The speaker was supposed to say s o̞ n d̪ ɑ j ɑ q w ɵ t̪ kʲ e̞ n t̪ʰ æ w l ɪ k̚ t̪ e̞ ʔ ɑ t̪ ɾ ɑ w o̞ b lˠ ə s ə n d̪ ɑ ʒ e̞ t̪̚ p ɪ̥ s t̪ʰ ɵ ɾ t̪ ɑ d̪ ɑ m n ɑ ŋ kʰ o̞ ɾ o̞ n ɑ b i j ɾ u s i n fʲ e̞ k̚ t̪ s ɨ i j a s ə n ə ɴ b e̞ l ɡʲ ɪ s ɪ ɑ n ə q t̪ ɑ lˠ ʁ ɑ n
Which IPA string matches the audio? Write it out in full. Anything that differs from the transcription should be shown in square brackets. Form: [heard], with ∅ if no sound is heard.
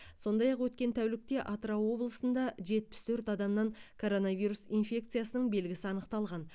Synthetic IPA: s o̞ n d̪ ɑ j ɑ q w ɵ t̪ kʲ e̞ n t̪ʰ æ w l ɪ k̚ t̪ e̞ ʔ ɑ t̪ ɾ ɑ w o̞ b lˠ ə s ə n d̪ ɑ ʒ e̞ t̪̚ p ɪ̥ s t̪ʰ ɵ ɾ t̪ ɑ d̪ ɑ m n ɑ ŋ kʰ o̞ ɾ o̞ n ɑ [v] i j ɾ u s i n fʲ e̞ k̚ t̪ s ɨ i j a s ə n ə ɴ b e̞ l ɡʲ ɪ s ɪ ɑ n ə q t̪ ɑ lˠ ʁ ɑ n